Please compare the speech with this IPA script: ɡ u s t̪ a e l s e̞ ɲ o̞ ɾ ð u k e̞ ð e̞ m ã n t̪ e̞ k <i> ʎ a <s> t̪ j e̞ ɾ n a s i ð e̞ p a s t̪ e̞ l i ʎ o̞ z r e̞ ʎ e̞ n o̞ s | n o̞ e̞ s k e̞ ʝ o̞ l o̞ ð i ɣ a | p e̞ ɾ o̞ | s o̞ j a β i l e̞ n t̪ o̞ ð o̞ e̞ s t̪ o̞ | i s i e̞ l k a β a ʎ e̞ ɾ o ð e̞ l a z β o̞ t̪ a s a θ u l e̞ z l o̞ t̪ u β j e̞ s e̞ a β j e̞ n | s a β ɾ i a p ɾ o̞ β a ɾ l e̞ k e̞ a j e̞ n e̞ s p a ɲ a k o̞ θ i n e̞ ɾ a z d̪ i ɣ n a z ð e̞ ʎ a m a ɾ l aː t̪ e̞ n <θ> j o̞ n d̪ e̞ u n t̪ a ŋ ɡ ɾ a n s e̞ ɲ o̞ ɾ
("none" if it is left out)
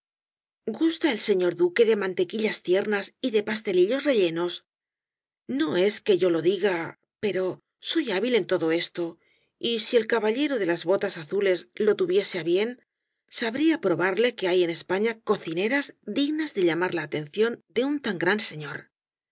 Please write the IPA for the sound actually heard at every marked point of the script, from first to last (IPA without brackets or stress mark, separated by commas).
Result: i, s, θ